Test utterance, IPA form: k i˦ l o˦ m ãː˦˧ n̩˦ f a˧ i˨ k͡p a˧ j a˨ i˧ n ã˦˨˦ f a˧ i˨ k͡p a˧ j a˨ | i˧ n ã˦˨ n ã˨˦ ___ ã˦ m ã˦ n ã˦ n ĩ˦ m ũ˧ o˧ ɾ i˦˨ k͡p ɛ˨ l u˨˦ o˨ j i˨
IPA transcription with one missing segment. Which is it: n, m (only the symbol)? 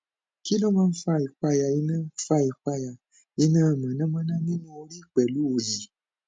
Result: n